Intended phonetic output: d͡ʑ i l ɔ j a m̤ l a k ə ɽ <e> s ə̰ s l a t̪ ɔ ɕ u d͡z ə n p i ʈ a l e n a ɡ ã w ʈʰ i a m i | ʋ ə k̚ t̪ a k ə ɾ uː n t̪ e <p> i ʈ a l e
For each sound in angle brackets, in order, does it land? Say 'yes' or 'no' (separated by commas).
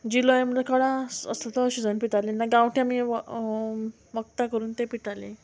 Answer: no, yes